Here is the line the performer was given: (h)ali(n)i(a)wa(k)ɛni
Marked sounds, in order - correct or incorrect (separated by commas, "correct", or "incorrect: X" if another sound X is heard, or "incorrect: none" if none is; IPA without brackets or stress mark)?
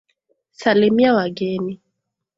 incorrect: s, incorrect: m, correct, incorrect: ɡ